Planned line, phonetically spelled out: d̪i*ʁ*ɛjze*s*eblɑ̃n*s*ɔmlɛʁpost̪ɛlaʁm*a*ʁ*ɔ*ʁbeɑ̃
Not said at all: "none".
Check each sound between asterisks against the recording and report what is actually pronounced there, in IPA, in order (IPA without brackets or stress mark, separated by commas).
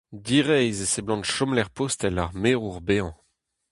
ʁ, s, ʃ, e, u